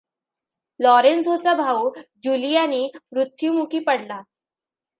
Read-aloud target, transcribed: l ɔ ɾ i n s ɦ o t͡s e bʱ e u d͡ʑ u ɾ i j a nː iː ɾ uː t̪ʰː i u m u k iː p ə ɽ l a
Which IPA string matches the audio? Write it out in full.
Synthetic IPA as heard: l ɔ ɾ e n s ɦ o t͡s a bʱ a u d͡ʑ u l i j a n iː ɾ u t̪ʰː j u m u k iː p ə ɽ l a